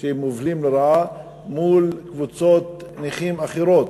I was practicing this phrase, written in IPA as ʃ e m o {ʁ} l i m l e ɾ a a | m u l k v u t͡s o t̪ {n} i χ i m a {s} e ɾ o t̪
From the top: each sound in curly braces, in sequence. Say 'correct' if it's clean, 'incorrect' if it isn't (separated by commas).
incorrect, correct, incorrect